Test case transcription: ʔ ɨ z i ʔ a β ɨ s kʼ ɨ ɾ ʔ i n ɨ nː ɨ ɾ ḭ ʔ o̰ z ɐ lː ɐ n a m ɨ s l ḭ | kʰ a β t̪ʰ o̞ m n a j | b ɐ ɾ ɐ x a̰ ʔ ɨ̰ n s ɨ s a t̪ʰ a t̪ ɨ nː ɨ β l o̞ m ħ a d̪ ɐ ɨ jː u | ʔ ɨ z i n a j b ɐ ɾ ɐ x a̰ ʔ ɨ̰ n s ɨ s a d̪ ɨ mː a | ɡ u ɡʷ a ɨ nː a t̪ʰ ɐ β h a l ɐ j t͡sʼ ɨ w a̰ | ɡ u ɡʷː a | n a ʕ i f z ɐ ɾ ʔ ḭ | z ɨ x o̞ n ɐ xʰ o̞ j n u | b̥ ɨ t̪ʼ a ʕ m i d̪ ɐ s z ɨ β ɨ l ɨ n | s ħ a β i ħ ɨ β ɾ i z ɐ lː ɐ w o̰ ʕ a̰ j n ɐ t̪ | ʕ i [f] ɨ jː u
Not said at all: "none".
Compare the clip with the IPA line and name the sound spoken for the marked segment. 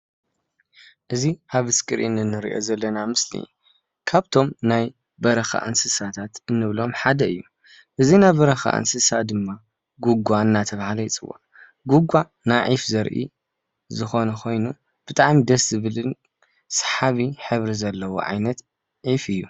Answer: f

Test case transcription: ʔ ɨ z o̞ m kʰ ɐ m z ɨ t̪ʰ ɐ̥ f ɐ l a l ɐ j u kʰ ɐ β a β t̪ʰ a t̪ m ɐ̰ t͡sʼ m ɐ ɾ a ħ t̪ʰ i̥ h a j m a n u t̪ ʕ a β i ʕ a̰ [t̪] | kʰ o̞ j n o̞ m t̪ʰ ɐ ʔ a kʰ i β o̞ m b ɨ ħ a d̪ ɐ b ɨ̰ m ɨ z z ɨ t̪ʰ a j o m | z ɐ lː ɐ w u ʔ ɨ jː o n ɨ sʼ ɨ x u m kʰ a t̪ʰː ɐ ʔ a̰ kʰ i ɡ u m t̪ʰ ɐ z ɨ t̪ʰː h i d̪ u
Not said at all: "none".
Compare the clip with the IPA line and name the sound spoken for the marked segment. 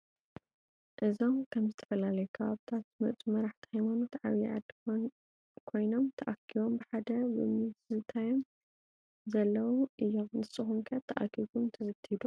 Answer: d̪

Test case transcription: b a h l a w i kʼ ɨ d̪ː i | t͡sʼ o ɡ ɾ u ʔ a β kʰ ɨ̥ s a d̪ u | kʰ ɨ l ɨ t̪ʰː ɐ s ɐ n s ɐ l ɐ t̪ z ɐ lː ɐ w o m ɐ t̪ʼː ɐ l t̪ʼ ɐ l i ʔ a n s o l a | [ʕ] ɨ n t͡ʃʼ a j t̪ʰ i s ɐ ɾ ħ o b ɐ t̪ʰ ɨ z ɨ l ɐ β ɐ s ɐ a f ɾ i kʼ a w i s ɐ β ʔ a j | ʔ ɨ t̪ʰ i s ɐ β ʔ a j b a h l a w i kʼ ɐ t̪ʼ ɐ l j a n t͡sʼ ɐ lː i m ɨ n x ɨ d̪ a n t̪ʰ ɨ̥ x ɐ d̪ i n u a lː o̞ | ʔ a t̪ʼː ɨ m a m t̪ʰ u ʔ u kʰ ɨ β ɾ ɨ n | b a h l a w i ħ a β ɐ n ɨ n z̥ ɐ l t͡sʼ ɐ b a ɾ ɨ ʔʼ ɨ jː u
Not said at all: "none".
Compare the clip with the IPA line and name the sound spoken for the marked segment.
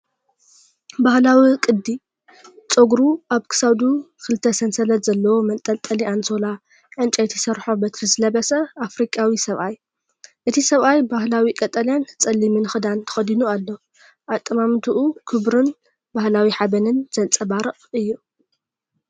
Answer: ʕ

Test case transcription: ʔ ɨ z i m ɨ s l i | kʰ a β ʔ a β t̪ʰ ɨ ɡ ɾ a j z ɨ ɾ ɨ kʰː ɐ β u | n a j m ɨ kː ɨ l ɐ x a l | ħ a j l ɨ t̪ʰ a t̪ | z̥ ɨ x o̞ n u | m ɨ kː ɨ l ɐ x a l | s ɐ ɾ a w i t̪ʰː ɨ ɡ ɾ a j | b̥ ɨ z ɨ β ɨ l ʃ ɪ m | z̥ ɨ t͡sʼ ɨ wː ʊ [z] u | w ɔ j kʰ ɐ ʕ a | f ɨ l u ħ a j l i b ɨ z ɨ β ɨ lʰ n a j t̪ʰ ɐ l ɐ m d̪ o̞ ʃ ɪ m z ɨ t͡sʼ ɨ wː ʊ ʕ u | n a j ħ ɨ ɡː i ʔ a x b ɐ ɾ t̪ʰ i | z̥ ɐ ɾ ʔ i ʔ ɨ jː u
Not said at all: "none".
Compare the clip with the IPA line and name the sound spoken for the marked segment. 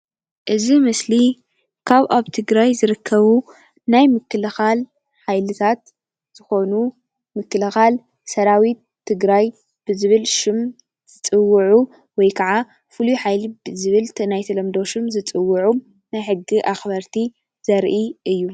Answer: ʕ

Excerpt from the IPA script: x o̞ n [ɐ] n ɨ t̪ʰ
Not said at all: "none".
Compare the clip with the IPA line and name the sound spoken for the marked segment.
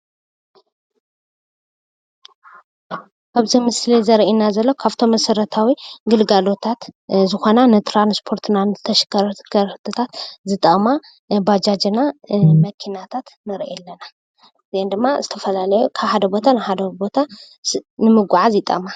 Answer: a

